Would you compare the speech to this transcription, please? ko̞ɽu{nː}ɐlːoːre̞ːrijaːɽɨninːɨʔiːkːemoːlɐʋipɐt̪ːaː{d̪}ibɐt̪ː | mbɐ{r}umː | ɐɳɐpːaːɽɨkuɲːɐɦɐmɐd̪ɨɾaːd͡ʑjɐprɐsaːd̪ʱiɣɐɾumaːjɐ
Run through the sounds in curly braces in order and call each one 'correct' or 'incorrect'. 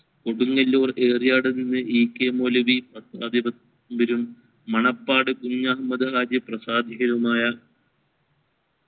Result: incorrect: ŋː, correct, incorrect: ɾ

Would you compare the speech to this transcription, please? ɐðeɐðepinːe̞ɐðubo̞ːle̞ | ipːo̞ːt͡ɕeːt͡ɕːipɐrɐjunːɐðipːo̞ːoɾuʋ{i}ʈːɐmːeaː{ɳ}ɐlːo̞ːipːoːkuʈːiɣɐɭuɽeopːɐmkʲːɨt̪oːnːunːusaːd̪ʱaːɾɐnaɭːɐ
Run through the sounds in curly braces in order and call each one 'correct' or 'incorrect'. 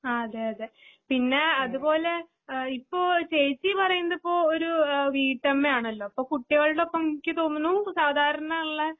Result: incorrect: iː, correct

